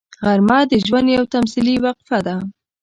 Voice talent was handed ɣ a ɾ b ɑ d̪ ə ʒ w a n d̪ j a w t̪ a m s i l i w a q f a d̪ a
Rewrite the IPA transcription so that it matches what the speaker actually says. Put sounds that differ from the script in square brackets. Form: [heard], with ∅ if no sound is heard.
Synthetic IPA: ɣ a ɾ [m] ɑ d̪ ə ʒ w a n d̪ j a w t̪ a m s i l i w a q f a d̪ a